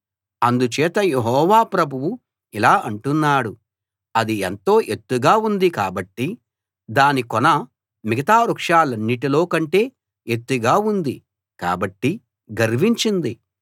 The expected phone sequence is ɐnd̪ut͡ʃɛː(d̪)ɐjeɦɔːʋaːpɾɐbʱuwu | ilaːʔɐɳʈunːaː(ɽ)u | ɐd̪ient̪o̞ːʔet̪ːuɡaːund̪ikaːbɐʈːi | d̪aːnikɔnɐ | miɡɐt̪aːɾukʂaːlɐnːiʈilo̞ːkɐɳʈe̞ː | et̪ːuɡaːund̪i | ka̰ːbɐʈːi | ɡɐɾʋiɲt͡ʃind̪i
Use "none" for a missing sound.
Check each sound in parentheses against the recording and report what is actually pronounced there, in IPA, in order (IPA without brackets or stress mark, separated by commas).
t̪, ɽ